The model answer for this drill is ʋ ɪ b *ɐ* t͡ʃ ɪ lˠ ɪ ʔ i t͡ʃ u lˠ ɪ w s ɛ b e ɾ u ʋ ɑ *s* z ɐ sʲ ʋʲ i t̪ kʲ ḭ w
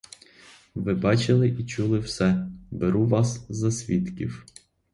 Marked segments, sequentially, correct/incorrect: incorrect, correct

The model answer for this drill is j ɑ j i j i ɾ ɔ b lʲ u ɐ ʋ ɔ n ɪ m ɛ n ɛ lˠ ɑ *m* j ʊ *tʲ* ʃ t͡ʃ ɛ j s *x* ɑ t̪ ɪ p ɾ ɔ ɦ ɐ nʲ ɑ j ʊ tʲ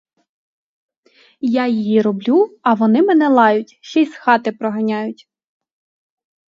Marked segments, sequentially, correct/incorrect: incorrect, correct, correct

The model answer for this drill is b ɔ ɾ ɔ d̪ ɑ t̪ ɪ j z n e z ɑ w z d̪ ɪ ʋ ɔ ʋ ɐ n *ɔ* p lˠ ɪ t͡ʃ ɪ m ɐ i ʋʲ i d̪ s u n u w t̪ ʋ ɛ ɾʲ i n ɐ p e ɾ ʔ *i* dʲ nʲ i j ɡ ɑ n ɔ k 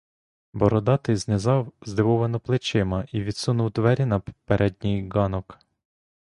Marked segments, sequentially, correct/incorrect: correct, incorrect

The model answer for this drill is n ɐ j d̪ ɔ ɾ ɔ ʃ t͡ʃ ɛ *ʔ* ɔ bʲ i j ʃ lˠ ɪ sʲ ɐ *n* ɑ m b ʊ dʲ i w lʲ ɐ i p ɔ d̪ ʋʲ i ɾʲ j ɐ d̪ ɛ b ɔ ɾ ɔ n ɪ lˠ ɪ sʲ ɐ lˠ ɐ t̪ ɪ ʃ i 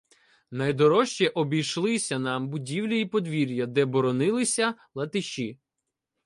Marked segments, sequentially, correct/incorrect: correct, correct

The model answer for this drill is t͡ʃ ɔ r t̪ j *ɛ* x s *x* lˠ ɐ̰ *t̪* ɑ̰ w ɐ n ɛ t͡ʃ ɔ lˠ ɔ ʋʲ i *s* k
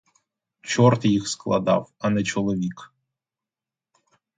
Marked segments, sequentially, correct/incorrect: incorrect, incorrect, incorrect, incorrect

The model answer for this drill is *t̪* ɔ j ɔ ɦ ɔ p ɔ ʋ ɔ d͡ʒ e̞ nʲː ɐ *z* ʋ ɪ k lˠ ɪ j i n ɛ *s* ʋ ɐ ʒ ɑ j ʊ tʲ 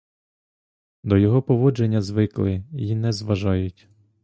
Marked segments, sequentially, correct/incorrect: incorrect, correct, incorrect

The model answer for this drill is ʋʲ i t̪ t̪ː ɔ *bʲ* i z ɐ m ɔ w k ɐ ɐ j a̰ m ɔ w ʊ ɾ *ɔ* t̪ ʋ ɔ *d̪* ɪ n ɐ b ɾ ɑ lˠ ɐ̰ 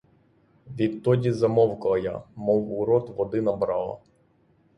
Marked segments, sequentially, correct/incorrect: incorrect, correct, correct

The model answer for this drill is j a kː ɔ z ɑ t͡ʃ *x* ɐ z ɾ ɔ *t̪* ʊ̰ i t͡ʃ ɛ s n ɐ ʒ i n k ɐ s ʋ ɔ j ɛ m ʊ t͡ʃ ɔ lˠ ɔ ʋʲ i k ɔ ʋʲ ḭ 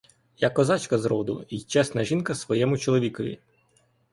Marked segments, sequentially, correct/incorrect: incorrect, incorrect

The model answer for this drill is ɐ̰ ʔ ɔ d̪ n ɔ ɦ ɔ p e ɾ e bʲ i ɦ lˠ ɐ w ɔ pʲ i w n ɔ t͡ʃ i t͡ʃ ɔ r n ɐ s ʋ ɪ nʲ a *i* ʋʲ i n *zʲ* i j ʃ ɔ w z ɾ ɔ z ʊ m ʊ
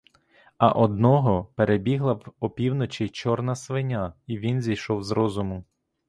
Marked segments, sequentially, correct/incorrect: correct, correct

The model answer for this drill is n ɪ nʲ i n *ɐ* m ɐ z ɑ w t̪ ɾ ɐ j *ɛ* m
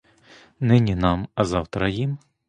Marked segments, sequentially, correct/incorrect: incorrect, incorrect

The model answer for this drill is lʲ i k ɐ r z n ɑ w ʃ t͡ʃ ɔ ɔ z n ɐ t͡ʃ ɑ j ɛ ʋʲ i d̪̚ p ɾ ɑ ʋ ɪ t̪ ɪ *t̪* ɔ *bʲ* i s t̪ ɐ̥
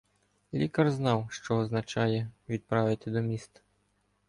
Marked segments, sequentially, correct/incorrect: incorrect, incorrect

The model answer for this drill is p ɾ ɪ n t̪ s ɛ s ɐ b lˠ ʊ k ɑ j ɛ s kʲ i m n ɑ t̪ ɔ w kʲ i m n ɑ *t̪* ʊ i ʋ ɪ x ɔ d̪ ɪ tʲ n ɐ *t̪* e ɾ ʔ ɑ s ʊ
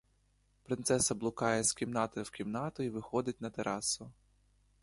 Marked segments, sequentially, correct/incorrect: correct, correct

